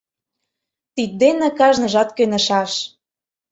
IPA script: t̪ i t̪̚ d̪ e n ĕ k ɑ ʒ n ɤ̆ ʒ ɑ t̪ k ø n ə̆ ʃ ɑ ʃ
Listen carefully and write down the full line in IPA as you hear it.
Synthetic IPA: t̪ i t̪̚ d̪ e n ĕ k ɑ ʒ n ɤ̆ ʒ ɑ t̪ k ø n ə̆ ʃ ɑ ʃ